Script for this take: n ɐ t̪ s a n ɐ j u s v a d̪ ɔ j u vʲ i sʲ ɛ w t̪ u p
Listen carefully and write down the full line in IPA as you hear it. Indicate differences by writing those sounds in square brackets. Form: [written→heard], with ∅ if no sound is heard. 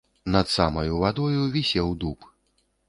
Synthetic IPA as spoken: n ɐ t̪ s a [n→m] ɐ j u [s→∅] v a d̪ ɔ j u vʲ i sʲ ɛ w [t̪→d̪] u p